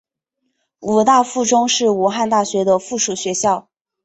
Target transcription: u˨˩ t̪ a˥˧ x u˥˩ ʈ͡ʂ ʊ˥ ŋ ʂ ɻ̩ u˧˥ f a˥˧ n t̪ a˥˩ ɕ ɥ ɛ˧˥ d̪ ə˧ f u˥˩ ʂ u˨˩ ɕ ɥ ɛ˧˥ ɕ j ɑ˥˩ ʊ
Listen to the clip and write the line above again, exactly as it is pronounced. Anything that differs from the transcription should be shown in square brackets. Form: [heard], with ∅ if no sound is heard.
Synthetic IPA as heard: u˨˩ t̪ a˥˧ [f] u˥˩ ʈ͡ʂ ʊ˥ ŋ ʂ ɻ̩ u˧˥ [x] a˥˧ n t̪ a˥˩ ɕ ɥ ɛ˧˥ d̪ ə˧ f u˥˩ ʂ u˨˩ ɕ ɥ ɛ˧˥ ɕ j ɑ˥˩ ʊ